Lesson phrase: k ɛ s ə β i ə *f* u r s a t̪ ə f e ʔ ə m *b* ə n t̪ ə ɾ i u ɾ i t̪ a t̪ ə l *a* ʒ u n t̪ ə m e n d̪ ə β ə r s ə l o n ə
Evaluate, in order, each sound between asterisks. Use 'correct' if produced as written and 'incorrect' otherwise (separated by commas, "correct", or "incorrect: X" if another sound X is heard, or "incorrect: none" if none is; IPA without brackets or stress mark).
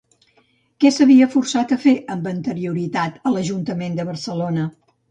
correct, correct, incorrect: ə